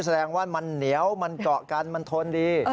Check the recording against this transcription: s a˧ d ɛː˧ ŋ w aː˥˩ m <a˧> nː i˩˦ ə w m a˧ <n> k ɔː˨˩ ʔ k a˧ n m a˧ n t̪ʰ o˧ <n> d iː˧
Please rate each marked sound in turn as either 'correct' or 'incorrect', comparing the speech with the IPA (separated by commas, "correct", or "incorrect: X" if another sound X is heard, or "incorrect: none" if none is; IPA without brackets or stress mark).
correct, correct, correct